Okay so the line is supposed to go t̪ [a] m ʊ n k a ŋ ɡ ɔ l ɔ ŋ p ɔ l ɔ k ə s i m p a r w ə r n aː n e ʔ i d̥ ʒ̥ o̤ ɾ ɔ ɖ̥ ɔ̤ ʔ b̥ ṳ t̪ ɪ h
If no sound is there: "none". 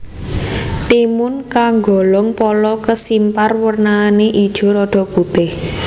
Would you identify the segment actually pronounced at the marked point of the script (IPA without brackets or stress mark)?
i